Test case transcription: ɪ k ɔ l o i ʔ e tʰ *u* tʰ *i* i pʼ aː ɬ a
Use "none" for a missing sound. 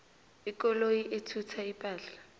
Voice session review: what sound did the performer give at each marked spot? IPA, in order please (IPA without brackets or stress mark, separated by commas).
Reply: u, a